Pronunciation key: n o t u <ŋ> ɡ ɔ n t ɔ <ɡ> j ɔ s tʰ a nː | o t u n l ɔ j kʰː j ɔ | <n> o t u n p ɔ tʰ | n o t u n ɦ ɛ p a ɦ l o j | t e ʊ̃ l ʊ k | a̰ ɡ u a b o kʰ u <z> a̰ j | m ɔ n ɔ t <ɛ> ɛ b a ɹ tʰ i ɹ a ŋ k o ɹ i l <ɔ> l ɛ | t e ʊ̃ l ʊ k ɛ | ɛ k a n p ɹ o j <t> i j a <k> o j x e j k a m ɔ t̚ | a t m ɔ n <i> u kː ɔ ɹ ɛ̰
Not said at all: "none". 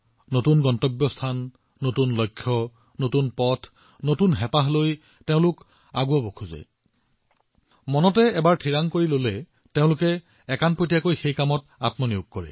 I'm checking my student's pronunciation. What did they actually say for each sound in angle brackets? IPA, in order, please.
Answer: n, b, n, z, ɛ, o, t, k, i

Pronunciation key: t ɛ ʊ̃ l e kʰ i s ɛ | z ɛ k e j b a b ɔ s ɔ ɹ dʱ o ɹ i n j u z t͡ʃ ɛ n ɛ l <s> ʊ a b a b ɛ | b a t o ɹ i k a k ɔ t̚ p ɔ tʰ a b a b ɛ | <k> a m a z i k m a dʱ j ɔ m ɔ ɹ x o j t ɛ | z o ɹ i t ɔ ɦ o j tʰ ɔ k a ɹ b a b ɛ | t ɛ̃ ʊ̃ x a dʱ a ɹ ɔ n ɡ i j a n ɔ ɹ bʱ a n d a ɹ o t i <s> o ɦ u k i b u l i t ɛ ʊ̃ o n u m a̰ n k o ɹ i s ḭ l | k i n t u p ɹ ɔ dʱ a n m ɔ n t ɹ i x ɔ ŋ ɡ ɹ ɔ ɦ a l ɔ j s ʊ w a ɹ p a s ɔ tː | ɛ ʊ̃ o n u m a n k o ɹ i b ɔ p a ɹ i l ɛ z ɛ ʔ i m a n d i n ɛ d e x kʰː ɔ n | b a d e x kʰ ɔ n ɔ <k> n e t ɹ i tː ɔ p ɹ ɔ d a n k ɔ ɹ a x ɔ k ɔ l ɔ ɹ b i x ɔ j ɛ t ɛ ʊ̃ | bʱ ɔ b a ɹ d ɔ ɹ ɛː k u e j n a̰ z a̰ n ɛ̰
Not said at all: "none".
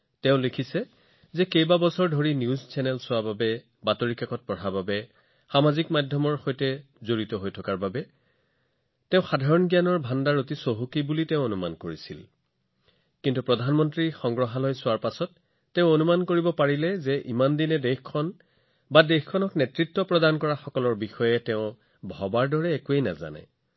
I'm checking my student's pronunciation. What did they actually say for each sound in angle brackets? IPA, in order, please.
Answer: s, x, s, k

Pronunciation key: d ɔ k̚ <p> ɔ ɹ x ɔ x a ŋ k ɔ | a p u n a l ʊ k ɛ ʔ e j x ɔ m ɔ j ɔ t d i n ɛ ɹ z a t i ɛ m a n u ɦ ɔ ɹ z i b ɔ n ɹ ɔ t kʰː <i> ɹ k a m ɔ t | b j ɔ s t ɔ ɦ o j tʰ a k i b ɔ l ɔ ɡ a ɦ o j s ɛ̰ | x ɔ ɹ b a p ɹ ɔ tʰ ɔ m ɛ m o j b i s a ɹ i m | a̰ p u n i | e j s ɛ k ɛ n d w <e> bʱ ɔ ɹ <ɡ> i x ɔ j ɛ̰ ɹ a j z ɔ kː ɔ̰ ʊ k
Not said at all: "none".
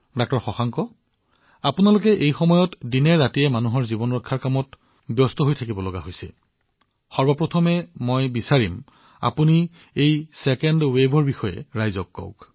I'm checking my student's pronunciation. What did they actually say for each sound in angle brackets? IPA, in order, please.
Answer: t, a, e, b

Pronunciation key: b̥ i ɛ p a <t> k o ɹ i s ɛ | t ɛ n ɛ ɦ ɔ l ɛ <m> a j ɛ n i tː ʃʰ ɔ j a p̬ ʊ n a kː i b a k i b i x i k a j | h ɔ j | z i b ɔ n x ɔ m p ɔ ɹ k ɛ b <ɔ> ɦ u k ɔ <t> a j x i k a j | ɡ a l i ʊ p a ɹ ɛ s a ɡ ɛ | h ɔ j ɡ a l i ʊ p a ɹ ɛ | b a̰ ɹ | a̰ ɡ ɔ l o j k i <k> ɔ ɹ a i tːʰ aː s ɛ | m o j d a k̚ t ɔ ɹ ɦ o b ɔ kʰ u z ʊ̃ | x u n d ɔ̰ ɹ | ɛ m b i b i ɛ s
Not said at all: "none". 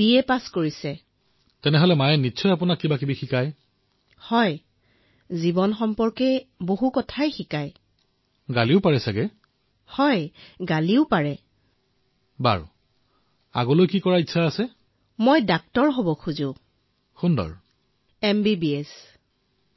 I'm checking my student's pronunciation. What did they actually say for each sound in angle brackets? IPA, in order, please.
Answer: s, m, o, tʰ, k

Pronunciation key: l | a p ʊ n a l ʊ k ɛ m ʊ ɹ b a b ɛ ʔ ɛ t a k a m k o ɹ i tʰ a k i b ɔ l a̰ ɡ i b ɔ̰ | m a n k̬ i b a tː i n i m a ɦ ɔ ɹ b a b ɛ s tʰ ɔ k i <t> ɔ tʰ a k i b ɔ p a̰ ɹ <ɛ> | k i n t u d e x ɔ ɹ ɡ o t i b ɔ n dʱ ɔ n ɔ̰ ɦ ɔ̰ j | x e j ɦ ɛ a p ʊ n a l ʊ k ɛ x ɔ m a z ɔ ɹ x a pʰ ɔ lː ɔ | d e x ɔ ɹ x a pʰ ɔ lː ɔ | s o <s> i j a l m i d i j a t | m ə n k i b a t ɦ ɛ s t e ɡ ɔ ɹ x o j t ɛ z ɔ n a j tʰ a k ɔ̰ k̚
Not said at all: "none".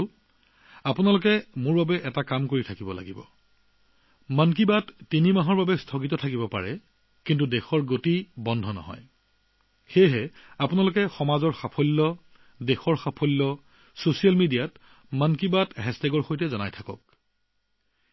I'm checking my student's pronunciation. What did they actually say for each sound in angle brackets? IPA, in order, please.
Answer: t, ɛ, s

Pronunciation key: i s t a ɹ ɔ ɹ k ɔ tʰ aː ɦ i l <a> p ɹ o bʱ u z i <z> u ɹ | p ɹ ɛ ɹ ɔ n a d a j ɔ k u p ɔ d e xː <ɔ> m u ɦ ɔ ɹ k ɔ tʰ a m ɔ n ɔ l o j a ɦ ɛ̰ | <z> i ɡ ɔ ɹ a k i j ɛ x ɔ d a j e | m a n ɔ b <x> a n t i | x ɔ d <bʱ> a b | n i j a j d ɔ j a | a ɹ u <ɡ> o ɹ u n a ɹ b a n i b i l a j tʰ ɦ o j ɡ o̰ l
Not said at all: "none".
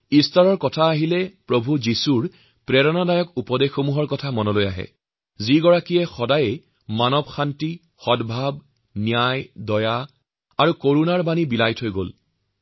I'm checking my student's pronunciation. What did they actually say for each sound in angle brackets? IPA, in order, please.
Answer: ɛ, s, o, z, x, bʱ, k

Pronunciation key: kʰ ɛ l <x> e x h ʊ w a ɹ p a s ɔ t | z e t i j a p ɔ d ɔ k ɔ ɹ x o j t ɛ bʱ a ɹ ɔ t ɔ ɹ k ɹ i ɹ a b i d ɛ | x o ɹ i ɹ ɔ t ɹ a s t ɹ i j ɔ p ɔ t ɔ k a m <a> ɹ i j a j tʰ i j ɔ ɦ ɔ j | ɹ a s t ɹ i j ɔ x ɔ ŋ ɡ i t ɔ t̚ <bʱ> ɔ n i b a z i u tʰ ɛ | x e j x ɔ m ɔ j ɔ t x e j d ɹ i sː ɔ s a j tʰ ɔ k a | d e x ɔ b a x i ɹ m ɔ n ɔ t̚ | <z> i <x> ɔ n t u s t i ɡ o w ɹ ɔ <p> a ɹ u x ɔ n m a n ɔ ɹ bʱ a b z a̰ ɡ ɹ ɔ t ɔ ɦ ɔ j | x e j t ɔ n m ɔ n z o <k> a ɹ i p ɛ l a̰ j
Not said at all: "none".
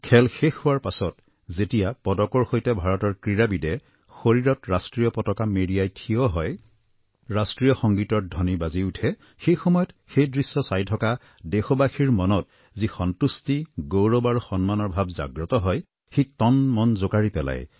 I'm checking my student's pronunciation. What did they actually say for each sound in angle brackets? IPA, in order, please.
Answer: x, e, dʱ, z, x, b, k

